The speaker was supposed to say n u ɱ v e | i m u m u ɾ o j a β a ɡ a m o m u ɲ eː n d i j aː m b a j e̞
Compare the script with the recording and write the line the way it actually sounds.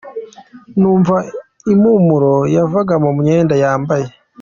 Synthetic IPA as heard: n uː ɱ v a | i m u m u ɾ o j a v a ɡ a m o m u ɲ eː n d a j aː m b a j e̞

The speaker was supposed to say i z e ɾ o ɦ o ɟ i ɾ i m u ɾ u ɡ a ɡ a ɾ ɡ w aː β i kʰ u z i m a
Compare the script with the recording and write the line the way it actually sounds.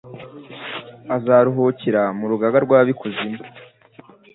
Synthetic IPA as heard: a z a ɾ u ɦ o c i ɾ a m u ɾ u ɡ a ɡ a ɾ ɡ w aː β i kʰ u z i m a

